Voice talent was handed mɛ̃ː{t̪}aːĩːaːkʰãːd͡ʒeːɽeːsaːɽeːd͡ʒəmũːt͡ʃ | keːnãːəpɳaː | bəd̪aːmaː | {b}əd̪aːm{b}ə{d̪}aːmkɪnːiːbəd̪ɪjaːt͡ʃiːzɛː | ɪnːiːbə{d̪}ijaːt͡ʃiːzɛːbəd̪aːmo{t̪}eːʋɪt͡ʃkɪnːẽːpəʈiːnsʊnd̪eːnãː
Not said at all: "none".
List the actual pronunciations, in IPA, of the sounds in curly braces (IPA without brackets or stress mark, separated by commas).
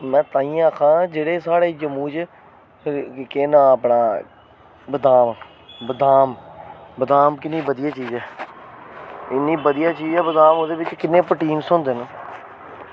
t̪, b, b, d̪, d̪, d̪